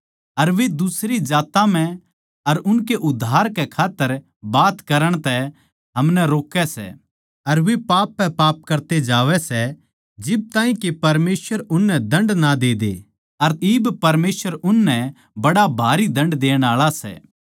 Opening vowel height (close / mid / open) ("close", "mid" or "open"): open